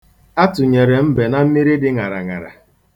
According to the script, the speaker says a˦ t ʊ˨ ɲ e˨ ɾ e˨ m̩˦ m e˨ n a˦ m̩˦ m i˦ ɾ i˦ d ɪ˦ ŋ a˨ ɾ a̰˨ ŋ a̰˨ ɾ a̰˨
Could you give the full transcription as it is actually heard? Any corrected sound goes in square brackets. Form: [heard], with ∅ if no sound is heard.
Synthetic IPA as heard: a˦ t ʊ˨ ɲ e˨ ɾ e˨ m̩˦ [b] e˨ n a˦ m̩˦ m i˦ ɾ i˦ d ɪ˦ ŋ a˨ ɾ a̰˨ ŋ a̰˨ ɾ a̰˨